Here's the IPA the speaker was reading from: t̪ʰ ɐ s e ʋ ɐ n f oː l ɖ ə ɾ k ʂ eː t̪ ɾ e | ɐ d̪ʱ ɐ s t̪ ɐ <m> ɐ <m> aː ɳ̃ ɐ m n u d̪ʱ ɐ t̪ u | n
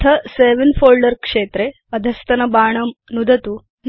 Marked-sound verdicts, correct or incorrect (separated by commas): incorrect, incorrect